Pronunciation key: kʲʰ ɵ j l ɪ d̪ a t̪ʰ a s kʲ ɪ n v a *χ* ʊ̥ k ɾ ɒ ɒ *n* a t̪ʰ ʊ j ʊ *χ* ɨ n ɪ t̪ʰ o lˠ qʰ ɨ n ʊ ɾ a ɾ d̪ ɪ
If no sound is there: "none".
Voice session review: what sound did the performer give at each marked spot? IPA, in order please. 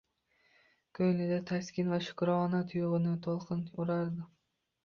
ʃ, n, ʁ

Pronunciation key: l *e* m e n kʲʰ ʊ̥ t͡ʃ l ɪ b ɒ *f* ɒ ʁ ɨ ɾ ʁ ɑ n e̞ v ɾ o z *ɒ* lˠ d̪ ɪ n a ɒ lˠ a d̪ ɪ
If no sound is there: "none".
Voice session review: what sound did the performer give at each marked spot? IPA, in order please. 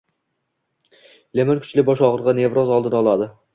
e, ʃ, ɒ

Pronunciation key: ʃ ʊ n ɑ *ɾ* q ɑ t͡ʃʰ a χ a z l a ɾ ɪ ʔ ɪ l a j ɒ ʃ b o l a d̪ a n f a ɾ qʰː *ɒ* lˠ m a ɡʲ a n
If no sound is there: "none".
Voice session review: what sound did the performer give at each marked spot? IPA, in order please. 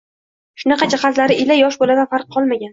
none, ɒ

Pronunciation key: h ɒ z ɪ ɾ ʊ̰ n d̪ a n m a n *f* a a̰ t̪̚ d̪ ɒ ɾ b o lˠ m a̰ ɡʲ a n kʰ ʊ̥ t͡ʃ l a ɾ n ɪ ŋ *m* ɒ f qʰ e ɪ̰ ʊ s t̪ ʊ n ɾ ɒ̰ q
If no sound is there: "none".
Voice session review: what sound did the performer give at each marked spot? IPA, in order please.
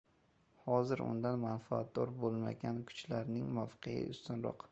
f, m

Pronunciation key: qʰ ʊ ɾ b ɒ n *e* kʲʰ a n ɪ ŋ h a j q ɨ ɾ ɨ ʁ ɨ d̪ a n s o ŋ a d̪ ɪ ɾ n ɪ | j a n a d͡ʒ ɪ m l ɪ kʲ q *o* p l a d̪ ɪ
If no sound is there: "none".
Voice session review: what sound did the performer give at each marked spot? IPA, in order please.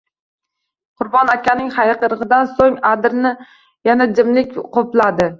a, o

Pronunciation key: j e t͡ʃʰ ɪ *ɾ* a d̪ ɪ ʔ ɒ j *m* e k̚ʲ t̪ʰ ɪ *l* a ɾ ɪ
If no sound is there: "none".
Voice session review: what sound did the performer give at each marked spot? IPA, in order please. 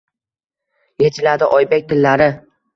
l, b, lː

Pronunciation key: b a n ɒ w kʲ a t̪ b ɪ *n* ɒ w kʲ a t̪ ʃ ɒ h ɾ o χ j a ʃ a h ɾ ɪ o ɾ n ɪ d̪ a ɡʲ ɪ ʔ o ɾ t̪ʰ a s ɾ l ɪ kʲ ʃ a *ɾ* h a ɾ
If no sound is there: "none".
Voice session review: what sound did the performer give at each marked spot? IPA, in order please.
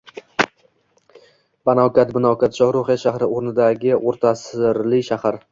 n, none

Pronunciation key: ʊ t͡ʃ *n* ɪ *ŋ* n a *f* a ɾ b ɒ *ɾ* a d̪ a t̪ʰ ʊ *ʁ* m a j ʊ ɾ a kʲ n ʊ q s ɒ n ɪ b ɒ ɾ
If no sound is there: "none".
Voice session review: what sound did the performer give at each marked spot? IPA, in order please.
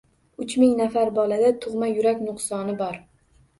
m, ŋ, f, l, ʁ

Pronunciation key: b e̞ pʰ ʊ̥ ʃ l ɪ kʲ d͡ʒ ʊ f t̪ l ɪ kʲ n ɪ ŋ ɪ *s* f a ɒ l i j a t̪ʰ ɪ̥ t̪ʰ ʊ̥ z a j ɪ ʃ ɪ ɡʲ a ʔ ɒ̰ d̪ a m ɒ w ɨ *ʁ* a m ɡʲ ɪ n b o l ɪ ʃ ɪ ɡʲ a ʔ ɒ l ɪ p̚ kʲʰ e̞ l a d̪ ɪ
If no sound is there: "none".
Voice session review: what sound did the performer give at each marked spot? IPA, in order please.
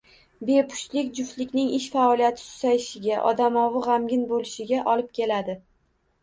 ʃ, ʁ

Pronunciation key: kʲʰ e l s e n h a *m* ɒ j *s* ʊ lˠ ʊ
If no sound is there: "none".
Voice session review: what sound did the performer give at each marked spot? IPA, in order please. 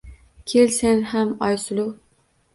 m, s

